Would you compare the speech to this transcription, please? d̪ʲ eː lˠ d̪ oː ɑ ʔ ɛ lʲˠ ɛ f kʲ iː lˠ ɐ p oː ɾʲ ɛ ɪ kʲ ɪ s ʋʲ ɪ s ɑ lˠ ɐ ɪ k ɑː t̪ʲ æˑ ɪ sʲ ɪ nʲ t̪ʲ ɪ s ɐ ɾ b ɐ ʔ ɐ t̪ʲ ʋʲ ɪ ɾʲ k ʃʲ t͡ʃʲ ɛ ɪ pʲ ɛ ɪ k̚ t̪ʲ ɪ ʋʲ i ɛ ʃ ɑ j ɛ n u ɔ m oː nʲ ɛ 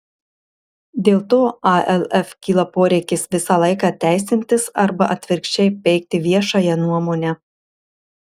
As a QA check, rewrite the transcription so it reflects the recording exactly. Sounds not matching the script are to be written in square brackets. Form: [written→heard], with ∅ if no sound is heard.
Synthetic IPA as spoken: d̪ʲ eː lˠ [d̪→t̪] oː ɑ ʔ ɛ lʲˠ ɛ f kʲ iː lˠ ɐ p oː ɾʲ ɛ ɪ kʲ ɪ s ʋʲ ɪ s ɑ lˠ ɐ ɪ k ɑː t̪ʲ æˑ ɪ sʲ ɪ nʲ t̪ʲ ɪ s ɐ ɾ b ɐ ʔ ɐ t̪ʲ ʋʲ ɪ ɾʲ k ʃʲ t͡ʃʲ ɛ ɪ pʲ ɛ ɪ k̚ t̪ʲ ɪ ʋʲ i ɛ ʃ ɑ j ɛ n u ɔ m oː nʲ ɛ